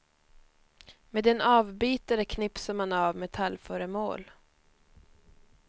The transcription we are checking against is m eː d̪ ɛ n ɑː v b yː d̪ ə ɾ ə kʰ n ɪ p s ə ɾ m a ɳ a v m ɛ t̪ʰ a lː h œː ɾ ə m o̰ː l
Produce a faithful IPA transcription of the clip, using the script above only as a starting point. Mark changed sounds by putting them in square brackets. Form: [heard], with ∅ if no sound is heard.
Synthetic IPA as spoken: m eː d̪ ɛ n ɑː v b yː [t̪] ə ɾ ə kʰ n ɪ p s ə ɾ m a [n] a v m ɛ t̪ʰ a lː [f] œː ɾ ə m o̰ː l